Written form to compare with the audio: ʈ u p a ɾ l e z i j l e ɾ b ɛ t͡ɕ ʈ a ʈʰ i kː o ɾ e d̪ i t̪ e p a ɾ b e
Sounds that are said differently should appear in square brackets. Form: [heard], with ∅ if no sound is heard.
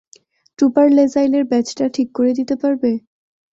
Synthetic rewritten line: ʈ u p a ɾ l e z [a] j l e ɾ b ɛ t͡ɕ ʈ a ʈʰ i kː o ɾ e d̪ i t̪ e p a ɾ b e